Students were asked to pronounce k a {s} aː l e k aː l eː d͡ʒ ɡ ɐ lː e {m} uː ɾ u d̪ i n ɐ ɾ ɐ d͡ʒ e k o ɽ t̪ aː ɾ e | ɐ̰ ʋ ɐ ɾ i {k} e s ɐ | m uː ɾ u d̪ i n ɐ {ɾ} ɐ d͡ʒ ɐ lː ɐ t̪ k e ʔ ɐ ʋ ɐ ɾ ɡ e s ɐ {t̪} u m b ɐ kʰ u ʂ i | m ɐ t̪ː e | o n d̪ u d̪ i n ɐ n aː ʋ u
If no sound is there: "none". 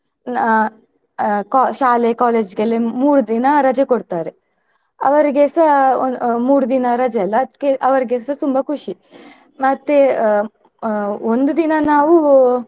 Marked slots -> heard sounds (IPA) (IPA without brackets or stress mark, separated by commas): ʃ, m, ɡ, ɾ, t̪